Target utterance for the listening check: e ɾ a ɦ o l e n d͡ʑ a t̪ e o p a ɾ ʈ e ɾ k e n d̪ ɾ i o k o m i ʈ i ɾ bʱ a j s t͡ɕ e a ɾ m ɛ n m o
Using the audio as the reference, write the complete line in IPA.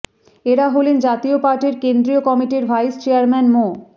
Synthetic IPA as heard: e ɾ a ɦ o l e n d͡ʑ a t̪ i o p a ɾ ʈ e ɾ k e n d̪ ɾ i o k ɔ m i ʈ i ɾ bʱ a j s t͡ɕ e a ɾ m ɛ n m o